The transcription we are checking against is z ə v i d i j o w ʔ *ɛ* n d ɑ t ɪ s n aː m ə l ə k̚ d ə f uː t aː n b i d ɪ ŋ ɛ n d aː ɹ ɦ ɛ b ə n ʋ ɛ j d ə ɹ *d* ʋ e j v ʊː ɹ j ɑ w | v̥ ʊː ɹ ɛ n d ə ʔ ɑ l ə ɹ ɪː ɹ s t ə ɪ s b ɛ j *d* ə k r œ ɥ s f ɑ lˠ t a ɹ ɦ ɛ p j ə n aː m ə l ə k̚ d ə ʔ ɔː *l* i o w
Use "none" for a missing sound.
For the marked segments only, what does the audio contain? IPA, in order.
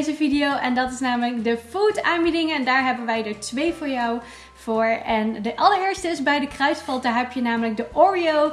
ɛ, t, d, ɹ

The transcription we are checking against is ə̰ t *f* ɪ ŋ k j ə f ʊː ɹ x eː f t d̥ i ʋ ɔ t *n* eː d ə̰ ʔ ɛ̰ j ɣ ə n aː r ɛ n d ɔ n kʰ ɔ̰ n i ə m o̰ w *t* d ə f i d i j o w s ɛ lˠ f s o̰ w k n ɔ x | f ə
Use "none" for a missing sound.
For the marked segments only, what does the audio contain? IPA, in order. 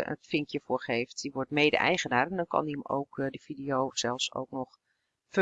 f, m, k

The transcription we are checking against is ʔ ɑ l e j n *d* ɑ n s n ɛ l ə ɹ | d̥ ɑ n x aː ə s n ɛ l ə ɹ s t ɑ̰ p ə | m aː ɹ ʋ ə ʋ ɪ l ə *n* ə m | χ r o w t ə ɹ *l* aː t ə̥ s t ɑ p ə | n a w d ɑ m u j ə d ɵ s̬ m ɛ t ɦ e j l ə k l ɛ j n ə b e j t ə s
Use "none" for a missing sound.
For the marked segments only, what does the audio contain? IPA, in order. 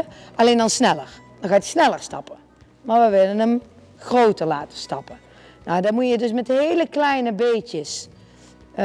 d, n, l

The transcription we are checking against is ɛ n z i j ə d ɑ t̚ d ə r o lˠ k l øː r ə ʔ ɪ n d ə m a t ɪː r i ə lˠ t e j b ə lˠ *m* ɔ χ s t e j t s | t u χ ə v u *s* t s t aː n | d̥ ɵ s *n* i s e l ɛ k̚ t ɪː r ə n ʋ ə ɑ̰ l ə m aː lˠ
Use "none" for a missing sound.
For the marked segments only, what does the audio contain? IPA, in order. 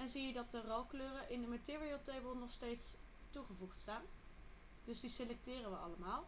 n, χ, d

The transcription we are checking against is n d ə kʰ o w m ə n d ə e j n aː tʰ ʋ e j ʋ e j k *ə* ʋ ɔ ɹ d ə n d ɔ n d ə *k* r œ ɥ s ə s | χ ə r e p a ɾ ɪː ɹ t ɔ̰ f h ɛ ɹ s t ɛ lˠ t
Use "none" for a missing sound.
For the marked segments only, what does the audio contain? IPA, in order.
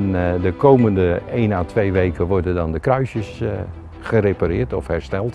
ə, k

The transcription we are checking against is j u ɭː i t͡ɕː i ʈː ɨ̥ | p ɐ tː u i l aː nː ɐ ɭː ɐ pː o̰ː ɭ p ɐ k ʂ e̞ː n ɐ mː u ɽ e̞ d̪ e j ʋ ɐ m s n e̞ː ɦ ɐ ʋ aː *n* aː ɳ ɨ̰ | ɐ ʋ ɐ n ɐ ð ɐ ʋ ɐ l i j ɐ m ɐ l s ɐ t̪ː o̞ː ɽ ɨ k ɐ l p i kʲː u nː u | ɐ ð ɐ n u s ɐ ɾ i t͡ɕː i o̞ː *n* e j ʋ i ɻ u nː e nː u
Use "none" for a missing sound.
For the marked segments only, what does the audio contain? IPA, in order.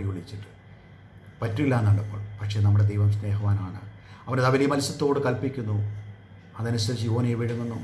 n, n

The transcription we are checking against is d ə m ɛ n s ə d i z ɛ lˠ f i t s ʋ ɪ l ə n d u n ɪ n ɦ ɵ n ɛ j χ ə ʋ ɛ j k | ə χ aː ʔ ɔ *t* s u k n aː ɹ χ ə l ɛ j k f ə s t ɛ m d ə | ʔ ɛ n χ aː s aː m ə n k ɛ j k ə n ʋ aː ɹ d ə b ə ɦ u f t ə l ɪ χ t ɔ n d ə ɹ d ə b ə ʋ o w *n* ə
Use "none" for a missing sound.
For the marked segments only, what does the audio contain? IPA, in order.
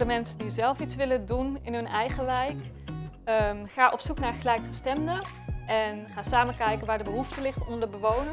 p, n

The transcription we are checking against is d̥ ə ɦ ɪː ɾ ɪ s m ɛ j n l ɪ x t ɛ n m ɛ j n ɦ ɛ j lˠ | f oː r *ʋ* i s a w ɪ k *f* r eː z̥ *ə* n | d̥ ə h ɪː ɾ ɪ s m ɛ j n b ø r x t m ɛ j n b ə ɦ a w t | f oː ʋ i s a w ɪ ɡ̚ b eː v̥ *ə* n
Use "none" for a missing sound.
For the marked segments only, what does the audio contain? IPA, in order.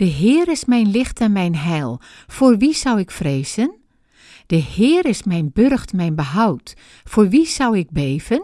ʋ, f, ə, ə

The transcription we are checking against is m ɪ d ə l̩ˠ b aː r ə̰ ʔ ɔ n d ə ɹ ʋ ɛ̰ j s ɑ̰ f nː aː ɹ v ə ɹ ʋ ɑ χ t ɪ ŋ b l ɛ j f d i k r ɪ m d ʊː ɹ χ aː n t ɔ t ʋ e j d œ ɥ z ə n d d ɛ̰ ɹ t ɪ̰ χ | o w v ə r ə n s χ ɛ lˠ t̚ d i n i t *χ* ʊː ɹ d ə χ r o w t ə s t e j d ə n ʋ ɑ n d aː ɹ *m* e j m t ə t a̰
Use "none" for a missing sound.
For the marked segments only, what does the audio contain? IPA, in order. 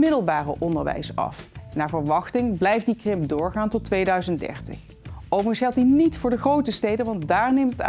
f, n

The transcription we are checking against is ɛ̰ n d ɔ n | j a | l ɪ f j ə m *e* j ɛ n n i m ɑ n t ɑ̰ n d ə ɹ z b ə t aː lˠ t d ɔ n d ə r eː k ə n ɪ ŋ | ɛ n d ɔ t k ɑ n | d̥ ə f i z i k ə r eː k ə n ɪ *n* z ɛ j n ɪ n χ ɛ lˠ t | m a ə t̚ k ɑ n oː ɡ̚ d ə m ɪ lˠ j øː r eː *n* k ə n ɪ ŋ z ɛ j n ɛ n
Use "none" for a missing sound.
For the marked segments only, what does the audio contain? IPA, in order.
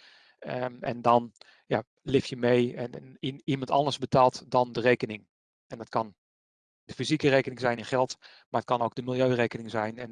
e, ŋ, none

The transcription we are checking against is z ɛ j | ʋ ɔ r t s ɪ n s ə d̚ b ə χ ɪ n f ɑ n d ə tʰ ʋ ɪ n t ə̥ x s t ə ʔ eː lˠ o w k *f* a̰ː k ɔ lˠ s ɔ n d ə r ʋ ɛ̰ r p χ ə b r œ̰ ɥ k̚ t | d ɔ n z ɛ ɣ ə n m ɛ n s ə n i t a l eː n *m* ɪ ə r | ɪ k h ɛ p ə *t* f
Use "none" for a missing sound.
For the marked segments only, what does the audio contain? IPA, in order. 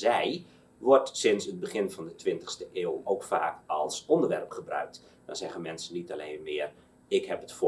f, m, t

